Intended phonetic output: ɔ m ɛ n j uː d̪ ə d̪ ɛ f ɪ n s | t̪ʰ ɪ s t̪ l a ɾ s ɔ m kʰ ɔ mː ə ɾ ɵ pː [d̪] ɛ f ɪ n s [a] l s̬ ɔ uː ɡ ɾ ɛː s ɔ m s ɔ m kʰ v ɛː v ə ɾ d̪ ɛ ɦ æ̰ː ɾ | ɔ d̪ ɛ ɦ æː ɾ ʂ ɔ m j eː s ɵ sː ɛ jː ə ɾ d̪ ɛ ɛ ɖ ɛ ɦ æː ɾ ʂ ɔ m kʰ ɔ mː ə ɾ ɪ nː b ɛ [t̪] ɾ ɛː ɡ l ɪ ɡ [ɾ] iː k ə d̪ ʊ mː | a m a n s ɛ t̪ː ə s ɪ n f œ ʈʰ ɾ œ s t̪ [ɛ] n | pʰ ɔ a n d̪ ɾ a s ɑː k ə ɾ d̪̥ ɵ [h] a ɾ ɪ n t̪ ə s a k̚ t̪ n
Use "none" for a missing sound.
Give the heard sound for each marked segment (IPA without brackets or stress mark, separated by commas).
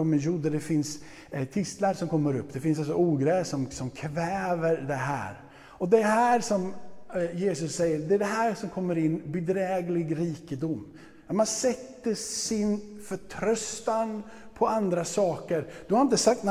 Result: d̪, a, d̪, ɾ, a, h